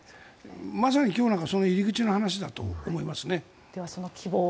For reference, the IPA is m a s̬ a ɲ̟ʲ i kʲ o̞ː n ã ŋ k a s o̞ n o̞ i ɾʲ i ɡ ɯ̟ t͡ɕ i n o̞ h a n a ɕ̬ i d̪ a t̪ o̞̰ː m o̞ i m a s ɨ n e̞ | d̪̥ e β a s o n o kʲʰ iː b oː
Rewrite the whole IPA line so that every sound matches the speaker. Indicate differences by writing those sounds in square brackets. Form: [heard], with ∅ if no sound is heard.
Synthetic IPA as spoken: m a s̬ a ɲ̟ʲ i kʲ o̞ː n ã ŋ k a s o̞ n o̞ i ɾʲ i ɡ ɯ̟ t͡ɕ i n o̞ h a n a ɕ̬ i d̪ a t̪ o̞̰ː m o̞ i m a s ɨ n e̞ | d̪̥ e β a s o n o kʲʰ [i] b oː